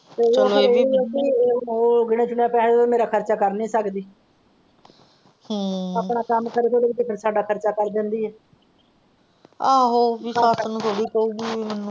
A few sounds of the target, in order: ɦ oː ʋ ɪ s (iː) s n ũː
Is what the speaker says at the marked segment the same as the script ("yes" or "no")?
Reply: no